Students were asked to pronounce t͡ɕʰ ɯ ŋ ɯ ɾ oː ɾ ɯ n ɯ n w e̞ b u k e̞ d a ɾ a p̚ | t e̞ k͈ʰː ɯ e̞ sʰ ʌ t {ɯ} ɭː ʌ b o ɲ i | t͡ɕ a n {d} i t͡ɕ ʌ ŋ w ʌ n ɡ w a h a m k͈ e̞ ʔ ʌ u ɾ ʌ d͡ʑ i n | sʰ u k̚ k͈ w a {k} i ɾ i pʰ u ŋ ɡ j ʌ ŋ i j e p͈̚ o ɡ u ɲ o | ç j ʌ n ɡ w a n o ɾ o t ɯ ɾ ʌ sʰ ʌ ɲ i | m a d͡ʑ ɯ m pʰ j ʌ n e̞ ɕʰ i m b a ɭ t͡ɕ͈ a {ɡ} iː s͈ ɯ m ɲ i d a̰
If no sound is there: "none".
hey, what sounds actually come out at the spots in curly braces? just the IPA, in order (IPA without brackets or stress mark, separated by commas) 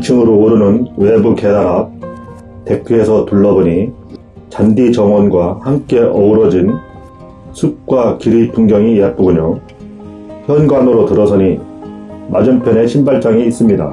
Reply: u, d, k, ŋ